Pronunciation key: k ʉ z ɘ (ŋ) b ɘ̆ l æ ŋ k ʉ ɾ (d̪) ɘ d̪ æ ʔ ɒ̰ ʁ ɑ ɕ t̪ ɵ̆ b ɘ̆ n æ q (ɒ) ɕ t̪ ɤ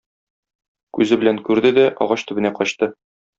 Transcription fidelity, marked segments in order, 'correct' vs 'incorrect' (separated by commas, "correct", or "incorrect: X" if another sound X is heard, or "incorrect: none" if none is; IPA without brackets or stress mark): incorrect: none, correct, correct